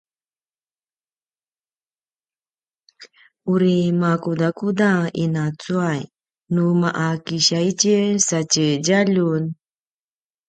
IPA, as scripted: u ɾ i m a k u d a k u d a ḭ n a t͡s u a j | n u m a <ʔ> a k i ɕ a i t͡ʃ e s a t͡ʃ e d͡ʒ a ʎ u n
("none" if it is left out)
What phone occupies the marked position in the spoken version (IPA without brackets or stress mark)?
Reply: ʔ